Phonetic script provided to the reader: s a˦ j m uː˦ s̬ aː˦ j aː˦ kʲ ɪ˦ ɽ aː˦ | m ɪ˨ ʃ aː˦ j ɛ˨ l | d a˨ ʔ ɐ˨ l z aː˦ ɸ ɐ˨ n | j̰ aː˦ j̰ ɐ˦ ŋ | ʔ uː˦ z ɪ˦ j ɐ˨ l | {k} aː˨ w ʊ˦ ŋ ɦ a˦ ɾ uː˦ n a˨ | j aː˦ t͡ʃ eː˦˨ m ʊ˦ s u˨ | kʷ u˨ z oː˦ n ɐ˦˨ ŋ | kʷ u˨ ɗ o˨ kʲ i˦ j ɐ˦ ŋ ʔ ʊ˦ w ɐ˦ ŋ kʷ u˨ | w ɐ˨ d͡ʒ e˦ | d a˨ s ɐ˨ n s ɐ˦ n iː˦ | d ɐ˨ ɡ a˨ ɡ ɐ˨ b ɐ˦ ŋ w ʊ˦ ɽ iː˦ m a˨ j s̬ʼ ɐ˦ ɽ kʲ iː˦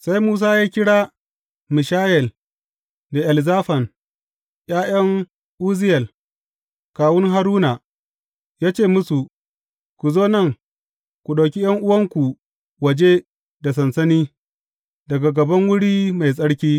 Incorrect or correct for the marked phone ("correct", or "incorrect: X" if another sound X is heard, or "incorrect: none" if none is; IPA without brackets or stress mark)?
correct